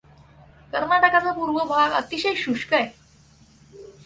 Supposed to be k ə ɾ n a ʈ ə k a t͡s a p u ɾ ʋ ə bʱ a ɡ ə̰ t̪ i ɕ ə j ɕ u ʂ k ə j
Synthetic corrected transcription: k ə ɾ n a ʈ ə k a t͡s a p u ɾ ʋ ə bʱ a ɡ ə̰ t̪ i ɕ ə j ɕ u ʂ k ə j